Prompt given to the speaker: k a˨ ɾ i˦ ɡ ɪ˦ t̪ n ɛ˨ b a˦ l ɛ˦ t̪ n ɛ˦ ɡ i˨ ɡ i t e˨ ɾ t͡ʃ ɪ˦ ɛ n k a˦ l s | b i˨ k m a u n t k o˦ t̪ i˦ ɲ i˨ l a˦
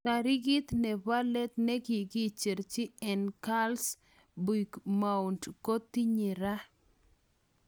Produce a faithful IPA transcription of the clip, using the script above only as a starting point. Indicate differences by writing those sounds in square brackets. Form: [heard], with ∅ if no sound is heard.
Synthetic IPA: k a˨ ɾ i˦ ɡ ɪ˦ t̪ n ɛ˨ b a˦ l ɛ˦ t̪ n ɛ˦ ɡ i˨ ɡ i [t͡ʃ] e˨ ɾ t͡ʃ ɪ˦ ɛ n k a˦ l s | b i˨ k m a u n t k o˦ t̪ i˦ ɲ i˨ [ɾ] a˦